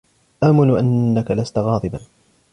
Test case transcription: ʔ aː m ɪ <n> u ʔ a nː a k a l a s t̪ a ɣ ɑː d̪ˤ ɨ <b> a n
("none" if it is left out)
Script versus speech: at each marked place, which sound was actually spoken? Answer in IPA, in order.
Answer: n, b

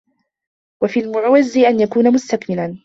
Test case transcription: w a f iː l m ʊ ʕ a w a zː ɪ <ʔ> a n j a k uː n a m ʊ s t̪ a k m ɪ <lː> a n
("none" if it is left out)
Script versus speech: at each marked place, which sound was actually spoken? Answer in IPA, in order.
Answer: ʔ, l

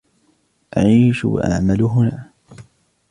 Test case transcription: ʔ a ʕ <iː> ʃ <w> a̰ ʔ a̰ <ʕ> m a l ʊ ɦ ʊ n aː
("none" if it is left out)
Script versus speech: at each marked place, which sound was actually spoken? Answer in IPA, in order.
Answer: iː, w, ʕ

